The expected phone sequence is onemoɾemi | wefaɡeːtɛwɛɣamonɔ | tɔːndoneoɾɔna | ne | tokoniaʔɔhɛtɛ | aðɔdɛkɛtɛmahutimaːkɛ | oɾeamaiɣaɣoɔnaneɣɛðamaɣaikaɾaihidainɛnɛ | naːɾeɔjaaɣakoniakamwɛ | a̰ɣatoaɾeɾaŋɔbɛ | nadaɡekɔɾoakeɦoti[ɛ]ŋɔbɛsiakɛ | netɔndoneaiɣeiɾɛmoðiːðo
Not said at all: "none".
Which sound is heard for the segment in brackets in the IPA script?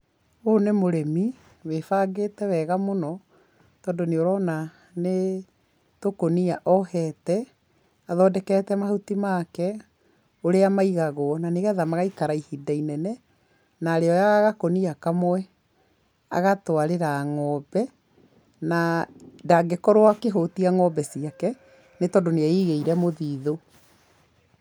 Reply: a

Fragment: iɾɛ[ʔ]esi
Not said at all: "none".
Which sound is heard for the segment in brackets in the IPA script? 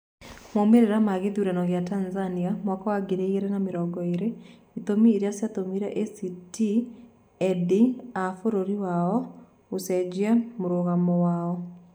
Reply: ʔ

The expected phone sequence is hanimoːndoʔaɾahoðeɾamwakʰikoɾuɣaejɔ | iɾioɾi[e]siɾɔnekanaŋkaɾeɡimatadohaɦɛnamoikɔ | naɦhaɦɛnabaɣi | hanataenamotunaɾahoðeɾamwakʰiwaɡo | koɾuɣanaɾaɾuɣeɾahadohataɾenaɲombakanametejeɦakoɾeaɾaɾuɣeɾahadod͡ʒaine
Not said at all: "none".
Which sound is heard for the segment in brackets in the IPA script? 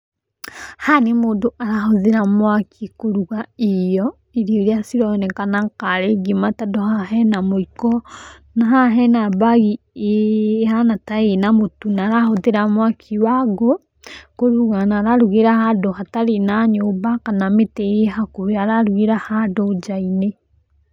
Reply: a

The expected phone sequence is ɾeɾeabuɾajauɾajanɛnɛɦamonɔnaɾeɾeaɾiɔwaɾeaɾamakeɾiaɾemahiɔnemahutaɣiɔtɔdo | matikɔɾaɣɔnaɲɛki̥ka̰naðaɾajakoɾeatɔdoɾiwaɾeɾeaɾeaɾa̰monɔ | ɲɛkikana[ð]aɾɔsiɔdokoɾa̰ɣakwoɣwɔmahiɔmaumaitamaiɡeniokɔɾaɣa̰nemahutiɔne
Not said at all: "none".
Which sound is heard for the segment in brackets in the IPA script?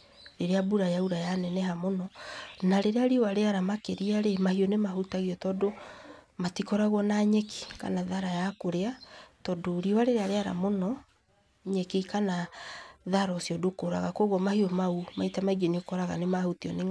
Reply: ð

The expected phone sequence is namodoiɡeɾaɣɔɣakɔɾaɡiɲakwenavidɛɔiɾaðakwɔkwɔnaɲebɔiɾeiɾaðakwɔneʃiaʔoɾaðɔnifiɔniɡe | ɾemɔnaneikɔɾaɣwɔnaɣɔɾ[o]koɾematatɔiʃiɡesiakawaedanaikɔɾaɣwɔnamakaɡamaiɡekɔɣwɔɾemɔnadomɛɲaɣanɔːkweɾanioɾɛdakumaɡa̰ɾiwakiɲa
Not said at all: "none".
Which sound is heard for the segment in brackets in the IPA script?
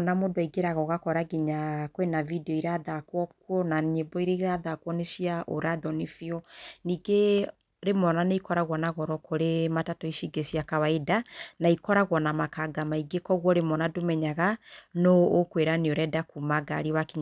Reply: ɔ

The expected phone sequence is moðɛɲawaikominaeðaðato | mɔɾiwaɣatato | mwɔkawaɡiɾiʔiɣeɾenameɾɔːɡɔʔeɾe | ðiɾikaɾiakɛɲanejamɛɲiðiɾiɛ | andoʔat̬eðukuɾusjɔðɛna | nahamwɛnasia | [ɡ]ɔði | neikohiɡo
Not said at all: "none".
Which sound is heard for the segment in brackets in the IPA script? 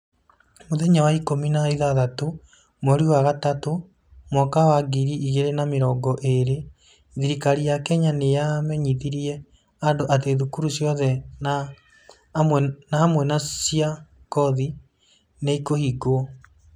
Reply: k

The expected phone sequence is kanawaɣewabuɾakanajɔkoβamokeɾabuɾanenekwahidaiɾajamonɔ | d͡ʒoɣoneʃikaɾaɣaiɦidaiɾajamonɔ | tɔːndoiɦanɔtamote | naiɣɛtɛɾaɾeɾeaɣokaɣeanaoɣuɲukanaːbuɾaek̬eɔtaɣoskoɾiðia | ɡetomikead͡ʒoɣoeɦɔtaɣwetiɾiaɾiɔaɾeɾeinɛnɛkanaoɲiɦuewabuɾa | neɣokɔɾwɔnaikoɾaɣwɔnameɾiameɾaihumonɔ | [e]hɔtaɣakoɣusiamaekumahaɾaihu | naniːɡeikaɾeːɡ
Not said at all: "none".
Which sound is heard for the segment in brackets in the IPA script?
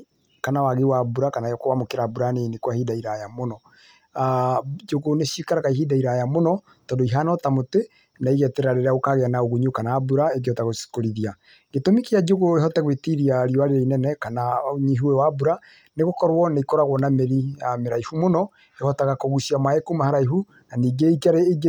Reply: e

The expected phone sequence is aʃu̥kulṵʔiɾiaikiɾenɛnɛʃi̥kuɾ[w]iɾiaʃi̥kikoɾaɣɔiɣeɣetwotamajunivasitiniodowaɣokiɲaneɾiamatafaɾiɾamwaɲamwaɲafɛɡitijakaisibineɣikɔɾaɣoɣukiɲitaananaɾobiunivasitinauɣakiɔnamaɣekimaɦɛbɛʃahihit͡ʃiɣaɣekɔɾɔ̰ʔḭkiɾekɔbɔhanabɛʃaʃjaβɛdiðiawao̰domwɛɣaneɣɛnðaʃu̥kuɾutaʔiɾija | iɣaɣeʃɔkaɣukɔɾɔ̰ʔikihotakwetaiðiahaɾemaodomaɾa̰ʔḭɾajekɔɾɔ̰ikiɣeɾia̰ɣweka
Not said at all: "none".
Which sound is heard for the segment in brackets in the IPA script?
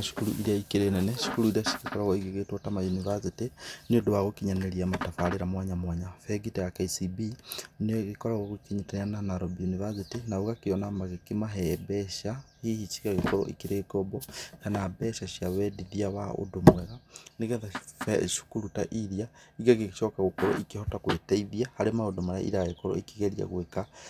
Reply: u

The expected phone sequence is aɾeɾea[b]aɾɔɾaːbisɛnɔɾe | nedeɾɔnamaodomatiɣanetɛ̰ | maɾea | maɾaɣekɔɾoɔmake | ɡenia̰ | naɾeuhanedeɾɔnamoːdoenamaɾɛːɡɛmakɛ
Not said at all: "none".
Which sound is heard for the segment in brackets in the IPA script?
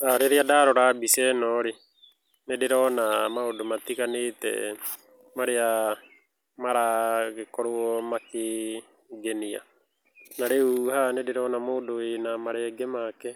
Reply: d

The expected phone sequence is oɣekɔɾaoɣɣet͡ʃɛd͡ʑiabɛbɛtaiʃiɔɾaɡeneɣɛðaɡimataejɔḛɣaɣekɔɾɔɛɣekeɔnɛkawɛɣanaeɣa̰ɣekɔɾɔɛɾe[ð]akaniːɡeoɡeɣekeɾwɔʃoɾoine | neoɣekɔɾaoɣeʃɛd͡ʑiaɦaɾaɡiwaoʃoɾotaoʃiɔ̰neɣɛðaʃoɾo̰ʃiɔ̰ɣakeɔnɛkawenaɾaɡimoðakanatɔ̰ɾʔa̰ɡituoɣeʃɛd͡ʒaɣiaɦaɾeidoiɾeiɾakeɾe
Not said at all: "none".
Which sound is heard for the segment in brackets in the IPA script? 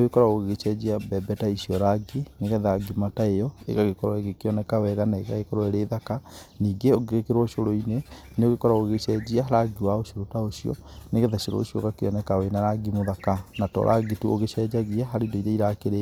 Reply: ð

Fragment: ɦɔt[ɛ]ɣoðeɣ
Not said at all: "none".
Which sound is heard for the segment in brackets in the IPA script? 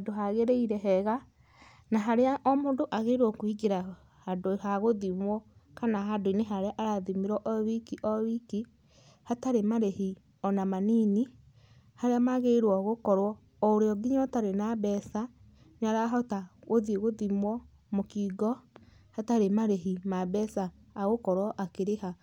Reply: a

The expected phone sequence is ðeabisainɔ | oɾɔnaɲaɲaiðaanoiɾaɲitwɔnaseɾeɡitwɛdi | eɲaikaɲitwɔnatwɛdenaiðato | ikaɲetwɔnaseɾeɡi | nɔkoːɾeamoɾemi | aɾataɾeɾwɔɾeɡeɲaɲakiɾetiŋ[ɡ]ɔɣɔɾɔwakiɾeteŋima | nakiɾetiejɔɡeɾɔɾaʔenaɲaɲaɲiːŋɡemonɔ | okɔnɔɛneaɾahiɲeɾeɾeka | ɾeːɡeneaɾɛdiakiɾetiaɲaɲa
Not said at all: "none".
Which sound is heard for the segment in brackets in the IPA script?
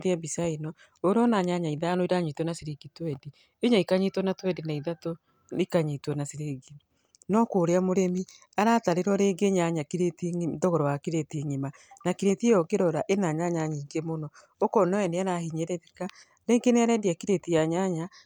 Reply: d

